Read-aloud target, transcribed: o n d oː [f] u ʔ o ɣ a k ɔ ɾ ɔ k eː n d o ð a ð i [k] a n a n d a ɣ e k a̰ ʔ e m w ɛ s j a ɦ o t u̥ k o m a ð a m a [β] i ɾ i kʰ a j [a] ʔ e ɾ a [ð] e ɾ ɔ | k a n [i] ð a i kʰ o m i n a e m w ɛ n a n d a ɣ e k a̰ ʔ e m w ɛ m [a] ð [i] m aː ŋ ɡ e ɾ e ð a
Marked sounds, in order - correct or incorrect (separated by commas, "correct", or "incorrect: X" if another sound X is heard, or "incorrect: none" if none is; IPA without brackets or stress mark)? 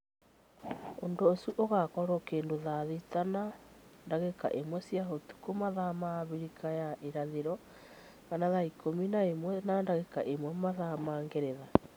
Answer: incorrect: s, incorrect: t, correct, correct, correct, incorrect: a, correct, incorrect: a